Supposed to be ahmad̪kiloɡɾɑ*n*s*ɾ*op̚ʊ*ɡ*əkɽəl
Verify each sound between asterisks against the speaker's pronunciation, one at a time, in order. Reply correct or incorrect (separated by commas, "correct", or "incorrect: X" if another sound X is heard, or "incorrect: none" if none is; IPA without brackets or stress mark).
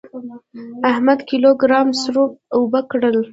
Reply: incorrect: m, correct, incorrect: b